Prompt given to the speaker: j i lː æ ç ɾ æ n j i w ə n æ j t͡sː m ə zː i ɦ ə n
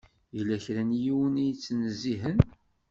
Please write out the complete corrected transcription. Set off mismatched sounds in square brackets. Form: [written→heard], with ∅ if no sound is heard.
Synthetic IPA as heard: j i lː æ ç ɾ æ n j i w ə n [æ→i] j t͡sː [m→n] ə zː i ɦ ə n